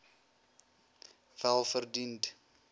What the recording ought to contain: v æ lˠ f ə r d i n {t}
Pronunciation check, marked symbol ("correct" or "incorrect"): correct